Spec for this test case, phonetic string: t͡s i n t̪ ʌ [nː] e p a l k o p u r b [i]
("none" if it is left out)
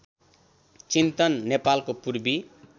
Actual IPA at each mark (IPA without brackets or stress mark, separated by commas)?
nː, i